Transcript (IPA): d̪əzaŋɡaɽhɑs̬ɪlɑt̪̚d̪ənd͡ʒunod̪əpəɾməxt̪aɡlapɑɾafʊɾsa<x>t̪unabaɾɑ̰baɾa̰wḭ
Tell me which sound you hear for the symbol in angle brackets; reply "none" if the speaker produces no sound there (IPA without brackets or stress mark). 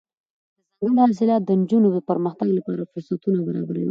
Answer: none